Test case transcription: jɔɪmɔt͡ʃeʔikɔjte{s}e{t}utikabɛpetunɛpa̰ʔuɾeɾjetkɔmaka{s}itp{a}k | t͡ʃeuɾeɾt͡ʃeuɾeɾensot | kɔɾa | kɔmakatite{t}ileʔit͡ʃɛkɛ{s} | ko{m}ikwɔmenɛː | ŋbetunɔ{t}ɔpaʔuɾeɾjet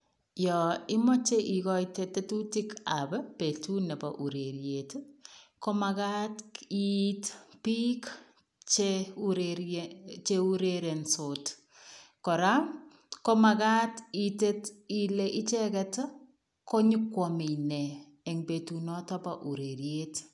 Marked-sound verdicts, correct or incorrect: incorrect, correct, incorrect, incorrect, correct, incorrect, incorrect, correct

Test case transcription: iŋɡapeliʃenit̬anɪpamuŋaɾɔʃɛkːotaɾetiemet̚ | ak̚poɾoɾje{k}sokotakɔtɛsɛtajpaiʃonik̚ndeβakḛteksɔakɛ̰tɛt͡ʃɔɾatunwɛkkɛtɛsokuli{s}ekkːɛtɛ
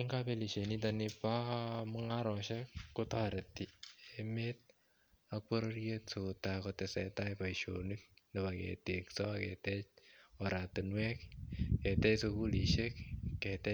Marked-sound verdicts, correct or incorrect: incorrect, incorrect

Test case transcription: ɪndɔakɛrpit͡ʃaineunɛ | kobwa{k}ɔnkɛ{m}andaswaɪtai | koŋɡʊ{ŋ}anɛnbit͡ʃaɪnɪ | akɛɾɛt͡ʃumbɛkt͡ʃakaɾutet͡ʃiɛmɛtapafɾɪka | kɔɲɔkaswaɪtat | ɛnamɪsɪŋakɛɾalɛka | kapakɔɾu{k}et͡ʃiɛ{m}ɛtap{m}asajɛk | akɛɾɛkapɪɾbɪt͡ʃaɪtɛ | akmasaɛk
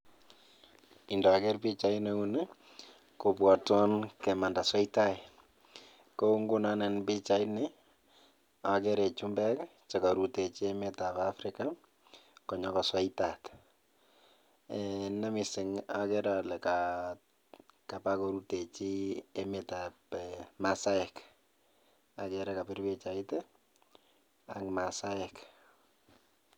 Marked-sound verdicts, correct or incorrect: incorrect, correct, incorrect, incorrect, correct, correct

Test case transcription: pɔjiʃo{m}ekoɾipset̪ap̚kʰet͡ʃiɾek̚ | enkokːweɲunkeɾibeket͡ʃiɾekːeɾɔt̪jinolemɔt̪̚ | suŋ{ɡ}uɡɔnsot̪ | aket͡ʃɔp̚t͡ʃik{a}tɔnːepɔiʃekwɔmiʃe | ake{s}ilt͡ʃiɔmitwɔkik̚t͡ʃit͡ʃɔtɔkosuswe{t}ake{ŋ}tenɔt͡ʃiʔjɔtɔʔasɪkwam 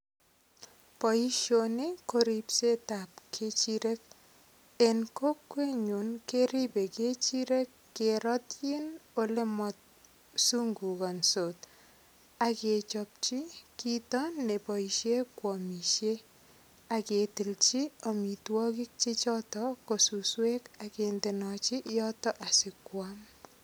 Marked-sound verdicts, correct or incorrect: incorrect, correct, incorrect, incorrect, incorrect, incorrect

